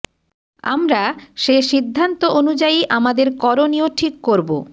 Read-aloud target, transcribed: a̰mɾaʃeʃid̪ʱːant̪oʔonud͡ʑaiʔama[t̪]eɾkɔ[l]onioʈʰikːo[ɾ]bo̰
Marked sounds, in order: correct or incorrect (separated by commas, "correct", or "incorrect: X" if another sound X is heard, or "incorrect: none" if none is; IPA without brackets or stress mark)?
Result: incorrect: d̪, incorrect: ɾ, correct